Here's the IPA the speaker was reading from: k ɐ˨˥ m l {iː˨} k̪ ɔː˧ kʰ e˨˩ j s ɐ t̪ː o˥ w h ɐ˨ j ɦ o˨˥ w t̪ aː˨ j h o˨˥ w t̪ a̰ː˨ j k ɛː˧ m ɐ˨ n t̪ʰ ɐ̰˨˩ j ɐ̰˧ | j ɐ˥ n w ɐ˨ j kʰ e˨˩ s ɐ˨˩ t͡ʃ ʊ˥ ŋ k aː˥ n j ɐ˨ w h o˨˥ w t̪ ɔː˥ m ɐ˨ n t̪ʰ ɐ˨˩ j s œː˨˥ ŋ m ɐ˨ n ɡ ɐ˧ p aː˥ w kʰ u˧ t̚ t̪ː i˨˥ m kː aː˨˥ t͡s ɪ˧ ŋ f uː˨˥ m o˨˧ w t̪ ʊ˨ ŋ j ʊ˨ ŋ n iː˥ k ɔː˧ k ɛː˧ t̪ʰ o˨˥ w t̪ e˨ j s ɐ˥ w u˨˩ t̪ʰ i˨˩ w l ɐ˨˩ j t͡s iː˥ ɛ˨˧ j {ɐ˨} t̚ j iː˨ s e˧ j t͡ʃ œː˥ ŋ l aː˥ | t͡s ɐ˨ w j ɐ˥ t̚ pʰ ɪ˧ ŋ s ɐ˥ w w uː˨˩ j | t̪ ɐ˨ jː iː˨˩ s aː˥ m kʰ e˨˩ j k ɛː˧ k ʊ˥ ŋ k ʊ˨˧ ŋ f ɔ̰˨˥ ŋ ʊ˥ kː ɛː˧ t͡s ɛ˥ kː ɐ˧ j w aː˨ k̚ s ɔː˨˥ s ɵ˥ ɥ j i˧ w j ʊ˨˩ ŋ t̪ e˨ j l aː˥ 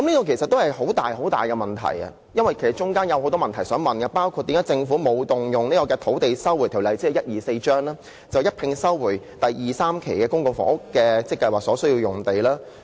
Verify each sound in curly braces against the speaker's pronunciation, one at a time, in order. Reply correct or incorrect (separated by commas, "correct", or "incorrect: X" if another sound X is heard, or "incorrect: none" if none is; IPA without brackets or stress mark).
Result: incorrect: iː˥, incorrect: ɐ˥